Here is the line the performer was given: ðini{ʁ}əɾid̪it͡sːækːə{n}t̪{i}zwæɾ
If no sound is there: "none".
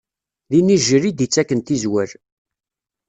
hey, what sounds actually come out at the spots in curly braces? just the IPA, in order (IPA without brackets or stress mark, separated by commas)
ʒ, n, i